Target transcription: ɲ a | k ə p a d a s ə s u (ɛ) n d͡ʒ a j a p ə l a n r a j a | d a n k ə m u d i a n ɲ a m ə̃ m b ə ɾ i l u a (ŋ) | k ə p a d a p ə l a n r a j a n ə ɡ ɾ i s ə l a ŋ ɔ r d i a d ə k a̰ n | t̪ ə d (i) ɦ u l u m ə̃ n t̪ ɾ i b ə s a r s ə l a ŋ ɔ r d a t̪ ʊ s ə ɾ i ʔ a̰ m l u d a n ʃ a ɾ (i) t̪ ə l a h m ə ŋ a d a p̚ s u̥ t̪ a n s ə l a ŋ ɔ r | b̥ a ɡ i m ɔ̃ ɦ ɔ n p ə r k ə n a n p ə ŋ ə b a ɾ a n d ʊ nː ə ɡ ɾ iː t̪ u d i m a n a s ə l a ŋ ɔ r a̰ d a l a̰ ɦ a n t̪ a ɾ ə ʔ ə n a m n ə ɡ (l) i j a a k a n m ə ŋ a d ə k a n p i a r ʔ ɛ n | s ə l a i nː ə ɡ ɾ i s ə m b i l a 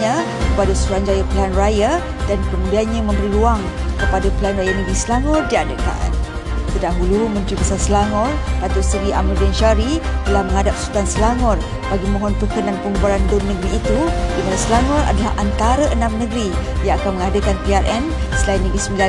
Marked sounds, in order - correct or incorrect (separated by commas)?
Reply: incorrect, correct, incorrect, correct, incorrect